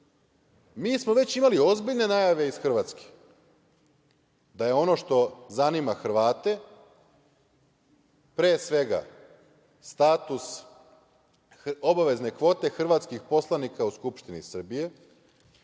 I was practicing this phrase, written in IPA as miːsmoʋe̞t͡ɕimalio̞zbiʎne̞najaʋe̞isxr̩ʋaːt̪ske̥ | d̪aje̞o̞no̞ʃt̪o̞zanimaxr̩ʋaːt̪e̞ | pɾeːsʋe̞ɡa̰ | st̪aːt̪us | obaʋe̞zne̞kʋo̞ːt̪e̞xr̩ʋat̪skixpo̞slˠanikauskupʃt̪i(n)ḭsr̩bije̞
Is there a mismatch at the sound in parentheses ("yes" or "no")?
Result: no